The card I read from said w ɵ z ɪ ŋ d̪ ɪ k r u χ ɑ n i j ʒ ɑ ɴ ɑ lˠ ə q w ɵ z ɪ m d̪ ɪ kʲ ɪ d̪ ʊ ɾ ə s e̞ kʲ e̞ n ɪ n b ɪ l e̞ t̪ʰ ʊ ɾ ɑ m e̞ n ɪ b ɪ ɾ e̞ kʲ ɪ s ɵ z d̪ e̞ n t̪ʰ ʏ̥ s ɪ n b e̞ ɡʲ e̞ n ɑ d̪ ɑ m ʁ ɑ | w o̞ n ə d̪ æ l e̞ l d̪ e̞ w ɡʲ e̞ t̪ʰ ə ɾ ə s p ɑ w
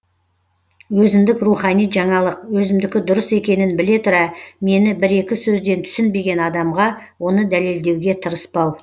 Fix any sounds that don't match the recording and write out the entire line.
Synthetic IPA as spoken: w ɵ z ɪ m d̪ ɪ k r u χ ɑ n i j ʒ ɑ ɴ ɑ lˠ ə q w ɵ z ɪ m d̪ ɪ kʲ ɪ d̪ ʊ ɾ ə s e̞ kʲ e̞ n ɪ n b ɪ l e̞ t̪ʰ ʊ ɾ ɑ m e̞ n ɪ b ɪ ɾ e̞ kʲ ɪ s ɵ z d̪ e̞ n t̪ʰ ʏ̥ s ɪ n b e̞ ɡʲ e̞ n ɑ d̪ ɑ m ʁ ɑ | w o̞ n ə d̪ æ l e̞ l d̪ e̞ w ɡʲ e̞ t̪ʰ ə ɾ ə s p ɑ w